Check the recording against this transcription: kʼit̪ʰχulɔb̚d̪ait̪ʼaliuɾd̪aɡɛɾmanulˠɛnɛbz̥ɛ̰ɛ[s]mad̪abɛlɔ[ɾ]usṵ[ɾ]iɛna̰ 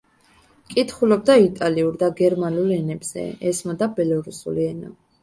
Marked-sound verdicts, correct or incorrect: correct, correct, incorrect

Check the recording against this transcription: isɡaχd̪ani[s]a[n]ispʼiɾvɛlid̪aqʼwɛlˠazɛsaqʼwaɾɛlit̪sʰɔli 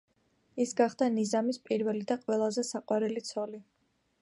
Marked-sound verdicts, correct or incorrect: incorrect, incorrect

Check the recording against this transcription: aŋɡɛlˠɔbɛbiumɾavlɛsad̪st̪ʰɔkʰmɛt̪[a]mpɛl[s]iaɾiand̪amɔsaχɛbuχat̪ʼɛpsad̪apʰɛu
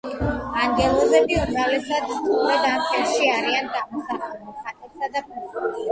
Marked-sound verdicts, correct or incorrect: correct, incorrect

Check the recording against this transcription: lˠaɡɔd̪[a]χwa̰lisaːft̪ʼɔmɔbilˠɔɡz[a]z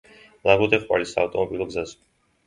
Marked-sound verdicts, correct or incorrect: incorrect, correct

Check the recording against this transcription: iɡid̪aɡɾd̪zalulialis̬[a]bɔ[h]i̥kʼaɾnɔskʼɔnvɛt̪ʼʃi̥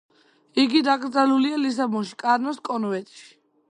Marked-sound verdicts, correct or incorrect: correct, incorrect

